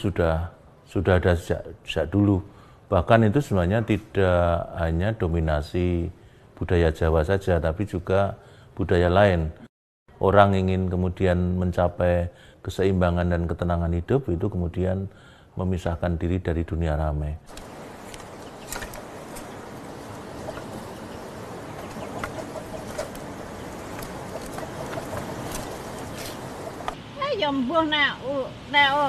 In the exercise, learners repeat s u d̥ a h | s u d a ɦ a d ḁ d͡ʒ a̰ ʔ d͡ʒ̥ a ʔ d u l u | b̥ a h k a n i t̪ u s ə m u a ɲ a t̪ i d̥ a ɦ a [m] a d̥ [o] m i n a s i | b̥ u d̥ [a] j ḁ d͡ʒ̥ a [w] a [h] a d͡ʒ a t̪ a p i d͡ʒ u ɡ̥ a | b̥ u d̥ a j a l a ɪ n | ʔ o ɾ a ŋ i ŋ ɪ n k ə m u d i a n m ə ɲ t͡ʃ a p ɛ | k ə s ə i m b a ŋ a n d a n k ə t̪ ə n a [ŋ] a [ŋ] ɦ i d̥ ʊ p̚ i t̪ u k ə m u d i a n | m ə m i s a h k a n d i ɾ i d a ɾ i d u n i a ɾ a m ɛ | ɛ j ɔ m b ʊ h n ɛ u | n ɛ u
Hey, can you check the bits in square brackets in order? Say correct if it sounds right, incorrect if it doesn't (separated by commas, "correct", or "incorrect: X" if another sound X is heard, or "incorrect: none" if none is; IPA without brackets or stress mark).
incorrect: ɲ, correct, correct, correct, incorrect: s, correct, incorrect: n